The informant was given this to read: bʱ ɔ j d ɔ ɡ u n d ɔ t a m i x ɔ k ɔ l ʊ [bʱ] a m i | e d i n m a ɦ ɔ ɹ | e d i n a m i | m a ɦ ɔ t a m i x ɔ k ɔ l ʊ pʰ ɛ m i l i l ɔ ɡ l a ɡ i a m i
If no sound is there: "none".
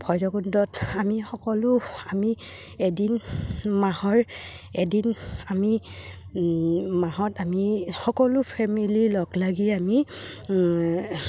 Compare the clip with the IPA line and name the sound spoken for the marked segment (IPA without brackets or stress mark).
none